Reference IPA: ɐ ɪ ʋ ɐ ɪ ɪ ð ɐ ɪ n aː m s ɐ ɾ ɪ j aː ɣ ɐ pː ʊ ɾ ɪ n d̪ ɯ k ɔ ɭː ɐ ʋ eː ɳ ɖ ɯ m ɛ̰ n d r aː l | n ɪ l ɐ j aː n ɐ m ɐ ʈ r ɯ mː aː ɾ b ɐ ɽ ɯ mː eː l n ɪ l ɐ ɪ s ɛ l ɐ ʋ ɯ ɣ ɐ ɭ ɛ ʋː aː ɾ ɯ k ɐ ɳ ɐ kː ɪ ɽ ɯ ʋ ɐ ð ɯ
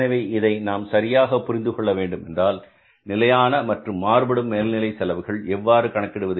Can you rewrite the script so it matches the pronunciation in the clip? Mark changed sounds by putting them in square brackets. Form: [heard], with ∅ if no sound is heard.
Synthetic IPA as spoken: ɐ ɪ ʋ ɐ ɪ ɪ ð ɐ ɪ n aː m s ɐ ɾ ɪ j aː ɣ ɐ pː ʊ ɾ ɪ n d̪ ɯ k ɔ ɭː ɐ ʋ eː ɳ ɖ ɯ m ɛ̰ n d r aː l | n ɪ l ɐ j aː n ɐ m ɐ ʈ r ɯ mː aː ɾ b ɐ ɽ ɯ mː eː l n ɪ l ɐ ɪ s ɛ l ɐ ʋ ɯ ɣ ɐ ɭ ɛ ʋː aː ɾ ɯ k ɐ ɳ ɐ kː ɪ ɽ ɯ ʋ ɐ ð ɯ